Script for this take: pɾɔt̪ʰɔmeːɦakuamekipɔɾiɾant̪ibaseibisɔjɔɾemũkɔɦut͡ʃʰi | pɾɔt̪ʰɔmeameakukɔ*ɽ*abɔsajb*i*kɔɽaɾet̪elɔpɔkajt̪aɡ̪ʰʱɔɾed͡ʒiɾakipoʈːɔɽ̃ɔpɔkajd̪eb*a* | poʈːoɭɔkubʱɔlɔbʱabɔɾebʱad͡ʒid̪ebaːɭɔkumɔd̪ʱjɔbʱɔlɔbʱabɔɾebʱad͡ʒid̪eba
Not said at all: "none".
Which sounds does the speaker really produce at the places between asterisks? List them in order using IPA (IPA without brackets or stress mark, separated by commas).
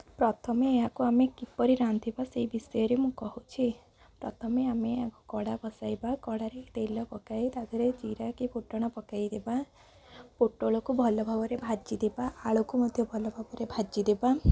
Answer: ɽ, a, a